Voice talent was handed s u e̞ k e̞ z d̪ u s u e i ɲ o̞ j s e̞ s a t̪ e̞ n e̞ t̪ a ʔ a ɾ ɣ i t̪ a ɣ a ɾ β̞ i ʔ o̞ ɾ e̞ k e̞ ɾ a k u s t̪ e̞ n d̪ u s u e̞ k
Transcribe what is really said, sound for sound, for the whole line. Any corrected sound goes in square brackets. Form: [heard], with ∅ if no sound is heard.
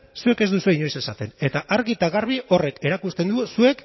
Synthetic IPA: s u e̞ k e̞ z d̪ u s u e i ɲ o̞ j s e̞ s a t̪ e̞ n e̞ t̪ a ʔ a ɾ ɣ i t̪ a ɣ a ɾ β̞ i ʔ o̞ [r] e̞ k e̞ ɾ a k u s t̪ e̞ n d̪ u s u e̞ k